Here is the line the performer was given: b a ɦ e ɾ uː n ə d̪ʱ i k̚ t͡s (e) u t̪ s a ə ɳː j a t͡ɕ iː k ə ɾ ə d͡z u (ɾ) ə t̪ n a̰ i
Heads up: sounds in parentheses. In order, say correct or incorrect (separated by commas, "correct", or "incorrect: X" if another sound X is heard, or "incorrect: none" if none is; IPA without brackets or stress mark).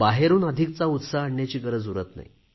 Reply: incorrect: a, correct